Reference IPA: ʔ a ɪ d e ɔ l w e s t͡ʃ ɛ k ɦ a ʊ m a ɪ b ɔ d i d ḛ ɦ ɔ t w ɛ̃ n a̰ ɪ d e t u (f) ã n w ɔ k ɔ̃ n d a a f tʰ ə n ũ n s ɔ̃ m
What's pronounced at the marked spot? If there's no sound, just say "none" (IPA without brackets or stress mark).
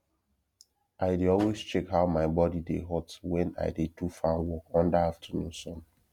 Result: f